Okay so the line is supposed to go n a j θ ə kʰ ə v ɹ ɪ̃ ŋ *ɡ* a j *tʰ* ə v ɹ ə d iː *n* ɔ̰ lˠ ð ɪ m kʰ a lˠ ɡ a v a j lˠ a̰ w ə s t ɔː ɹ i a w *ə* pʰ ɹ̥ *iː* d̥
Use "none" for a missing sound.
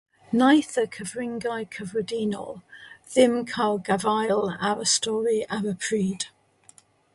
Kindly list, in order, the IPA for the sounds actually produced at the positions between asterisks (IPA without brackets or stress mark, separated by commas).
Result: ɡ, kʰ, n, ə, iː